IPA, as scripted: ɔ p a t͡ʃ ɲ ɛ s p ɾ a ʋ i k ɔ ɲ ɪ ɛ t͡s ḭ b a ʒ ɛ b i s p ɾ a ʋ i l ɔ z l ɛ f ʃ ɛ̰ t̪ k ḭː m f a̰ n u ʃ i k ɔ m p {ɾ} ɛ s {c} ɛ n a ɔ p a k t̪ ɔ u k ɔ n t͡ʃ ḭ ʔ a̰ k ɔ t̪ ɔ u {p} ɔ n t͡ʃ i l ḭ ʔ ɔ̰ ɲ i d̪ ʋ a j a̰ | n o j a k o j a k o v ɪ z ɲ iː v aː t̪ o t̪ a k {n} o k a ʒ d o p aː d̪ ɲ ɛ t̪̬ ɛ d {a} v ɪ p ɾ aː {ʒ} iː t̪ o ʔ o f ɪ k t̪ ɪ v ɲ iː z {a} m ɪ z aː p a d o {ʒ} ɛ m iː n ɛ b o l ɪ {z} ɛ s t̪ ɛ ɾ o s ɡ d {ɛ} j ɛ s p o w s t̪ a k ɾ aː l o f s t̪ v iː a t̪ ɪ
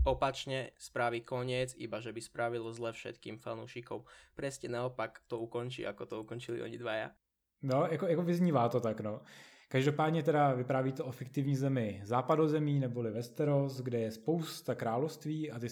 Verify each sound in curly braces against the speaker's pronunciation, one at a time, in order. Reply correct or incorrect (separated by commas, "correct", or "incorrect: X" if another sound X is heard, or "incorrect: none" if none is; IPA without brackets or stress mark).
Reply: correct, correct, incorrect: k, correct, correct, incorrect: v, incorrect: ɛ, incorrect: z, incorrect: v, correct